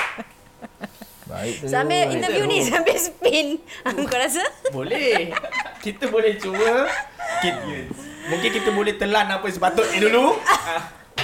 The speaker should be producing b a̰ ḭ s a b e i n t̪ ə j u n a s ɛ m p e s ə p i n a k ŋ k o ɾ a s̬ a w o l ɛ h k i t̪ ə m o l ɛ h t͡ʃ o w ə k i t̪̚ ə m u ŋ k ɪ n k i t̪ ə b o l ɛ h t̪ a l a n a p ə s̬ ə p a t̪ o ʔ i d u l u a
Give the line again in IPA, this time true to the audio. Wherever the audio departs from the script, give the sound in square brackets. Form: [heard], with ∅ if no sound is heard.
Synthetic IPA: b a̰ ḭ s a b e i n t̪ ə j u n [i] s [a] m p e s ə p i n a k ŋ k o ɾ a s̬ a [b] o l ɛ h k i t̪ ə [b] o l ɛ h t͡ʃ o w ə k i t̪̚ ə m u ŋ k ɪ n k i t̪ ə b o l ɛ h t̪ [ə] l a n a p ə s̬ ə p a t̪ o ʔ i d u l u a